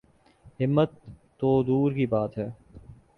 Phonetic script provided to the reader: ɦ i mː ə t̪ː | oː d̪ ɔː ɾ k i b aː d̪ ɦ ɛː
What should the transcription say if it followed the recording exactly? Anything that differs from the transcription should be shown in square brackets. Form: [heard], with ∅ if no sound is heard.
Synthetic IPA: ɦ [ɪ] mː ə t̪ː | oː d̪ [uː] ɾ k i b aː [t̪] ɦ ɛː